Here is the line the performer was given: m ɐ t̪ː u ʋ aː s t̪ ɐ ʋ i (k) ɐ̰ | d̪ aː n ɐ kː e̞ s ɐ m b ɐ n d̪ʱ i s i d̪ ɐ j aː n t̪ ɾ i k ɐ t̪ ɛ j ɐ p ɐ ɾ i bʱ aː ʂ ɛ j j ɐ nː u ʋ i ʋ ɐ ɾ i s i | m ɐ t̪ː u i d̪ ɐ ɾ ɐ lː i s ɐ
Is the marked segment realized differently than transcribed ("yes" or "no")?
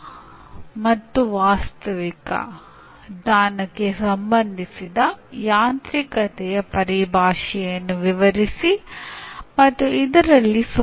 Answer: no